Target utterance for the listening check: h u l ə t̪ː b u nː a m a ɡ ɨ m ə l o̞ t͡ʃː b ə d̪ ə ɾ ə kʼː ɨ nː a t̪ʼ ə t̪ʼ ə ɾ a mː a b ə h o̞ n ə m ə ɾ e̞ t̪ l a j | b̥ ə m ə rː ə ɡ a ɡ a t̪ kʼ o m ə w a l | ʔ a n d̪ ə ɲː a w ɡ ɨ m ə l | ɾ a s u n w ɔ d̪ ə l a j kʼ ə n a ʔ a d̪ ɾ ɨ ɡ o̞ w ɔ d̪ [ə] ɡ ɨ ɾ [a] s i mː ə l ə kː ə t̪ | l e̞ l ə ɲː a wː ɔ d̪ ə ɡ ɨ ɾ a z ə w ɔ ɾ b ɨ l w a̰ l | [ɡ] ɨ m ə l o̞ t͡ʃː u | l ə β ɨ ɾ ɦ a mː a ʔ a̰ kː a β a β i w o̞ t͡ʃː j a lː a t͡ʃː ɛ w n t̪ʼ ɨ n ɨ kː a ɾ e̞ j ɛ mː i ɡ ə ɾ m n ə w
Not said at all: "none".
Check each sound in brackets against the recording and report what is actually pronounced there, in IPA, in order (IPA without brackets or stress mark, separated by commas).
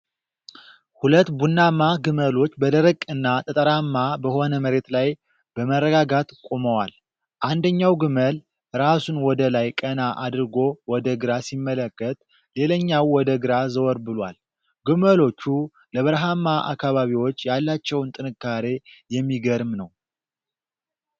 ə, a, ɡ